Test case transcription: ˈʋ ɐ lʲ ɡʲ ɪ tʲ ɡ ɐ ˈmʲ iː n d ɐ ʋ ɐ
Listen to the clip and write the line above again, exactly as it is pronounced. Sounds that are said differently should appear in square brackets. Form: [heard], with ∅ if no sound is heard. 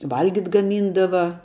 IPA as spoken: ˈʋ ɐ lʲ ɡʲ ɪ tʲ ɡ ɐ ˈmʲ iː n d ɐ ʋ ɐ